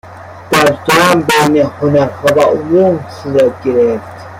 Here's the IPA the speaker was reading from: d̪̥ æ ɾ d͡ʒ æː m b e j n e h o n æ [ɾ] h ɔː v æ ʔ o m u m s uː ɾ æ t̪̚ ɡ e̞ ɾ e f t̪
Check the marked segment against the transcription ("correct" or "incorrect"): correct